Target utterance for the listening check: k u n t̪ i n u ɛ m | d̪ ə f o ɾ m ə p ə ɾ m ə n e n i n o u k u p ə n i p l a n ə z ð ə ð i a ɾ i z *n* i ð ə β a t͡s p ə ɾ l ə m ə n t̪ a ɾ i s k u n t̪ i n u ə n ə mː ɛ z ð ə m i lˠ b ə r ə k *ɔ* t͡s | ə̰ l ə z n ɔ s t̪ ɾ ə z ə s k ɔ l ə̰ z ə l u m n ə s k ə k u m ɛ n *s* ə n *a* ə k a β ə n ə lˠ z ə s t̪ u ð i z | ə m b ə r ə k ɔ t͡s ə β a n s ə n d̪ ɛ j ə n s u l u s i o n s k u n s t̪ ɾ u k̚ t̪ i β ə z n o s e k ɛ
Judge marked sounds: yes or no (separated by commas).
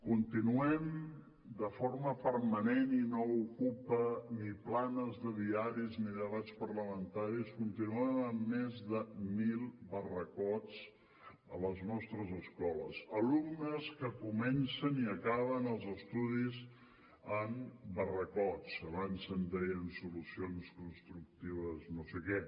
yes, yes, yes, no